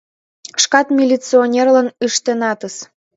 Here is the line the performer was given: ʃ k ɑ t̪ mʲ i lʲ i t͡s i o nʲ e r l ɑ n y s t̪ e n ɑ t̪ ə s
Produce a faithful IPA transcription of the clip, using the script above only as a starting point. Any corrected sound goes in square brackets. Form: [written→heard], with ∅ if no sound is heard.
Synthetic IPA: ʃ k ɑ t̪ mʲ i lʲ i t͡s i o nʲ e r l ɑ n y [s→ʃ] t̪ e n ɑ t̪ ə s